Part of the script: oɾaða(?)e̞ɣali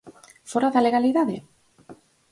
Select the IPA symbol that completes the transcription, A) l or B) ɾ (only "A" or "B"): A